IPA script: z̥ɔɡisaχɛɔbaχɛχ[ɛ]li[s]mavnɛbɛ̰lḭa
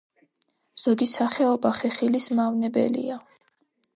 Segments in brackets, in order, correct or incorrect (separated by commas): incorrect, correct